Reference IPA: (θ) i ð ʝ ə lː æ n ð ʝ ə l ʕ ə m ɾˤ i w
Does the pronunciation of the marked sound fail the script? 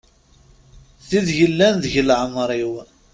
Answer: no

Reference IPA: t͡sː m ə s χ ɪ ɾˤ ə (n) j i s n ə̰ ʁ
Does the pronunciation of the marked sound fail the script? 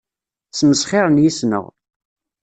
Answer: no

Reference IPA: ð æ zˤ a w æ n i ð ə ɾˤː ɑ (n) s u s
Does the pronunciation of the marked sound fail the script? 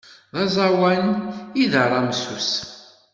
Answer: yes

